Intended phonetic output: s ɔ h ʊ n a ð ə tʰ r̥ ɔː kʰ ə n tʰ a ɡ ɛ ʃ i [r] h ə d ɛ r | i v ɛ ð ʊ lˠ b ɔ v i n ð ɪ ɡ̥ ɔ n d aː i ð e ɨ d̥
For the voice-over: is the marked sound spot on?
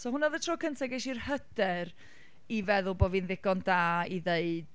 yes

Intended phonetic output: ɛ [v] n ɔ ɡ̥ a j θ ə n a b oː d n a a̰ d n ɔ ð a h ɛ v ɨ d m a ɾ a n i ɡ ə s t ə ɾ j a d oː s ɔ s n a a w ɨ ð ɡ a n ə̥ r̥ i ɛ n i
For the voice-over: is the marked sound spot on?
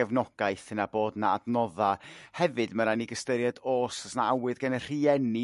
yes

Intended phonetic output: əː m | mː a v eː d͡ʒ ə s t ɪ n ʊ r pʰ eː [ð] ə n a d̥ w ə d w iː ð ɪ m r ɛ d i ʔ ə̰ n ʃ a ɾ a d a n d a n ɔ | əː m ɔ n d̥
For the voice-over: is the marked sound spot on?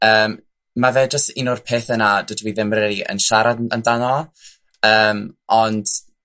no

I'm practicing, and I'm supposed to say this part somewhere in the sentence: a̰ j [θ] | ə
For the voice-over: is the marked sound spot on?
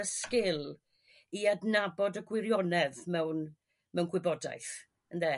yes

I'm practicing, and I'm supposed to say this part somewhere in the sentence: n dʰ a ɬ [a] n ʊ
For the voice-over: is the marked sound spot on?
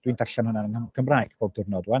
yes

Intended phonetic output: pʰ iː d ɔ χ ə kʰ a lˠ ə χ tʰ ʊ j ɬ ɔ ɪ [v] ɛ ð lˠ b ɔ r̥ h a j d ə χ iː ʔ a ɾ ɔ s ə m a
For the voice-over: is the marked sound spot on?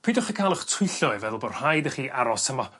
yes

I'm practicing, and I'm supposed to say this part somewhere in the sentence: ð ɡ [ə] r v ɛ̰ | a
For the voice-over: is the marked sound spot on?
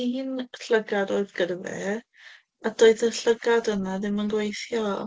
yes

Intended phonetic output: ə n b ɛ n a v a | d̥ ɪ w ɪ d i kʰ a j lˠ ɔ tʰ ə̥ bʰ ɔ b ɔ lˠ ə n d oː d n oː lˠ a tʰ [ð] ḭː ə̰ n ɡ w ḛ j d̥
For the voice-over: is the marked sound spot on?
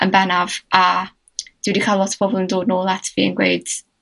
no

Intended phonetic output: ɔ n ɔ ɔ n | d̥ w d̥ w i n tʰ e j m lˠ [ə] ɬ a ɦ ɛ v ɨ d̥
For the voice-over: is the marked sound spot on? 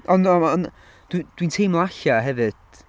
no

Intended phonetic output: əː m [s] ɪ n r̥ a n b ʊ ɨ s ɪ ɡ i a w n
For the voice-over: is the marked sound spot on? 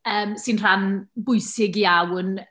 yes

